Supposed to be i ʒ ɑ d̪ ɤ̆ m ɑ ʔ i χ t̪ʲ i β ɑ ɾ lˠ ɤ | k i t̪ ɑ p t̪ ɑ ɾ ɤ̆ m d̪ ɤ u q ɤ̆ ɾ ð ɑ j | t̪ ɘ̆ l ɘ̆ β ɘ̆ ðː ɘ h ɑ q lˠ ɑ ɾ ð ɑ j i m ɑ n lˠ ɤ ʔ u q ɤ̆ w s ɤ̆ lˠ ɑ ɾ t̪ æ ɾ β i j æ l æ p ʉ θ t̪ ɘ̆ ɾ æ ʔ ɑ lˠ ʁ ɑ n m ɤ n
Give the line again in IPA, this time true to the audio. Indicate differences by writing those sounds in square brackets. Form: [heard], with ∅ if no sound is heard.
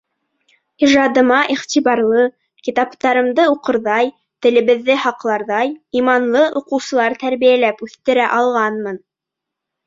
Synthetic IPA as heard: i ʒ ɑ d̪ ɤ̆ m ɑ ʔ i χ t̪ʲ i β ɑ ɾ lˠ ɤ | k i t̪ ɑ p t̪ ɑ ɾ ɤ̆ m d̪ ɤ u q ɤ̆ ɾ ð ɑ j | t̪ ɘ̆ l ɘ̆ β ɘ̆ ðː ɘ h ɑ q lˠ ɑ ɾ ð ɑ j i m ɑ n lˠ ɤ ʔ u q ɤ̆ w s ɤ̆ lˠ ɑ ɾ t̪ æ ɾ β i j æ l æ p ʉ θ t̪ ɘ̆ ɾ æ ʔ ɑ lˠ ʁ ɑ n m ɤ n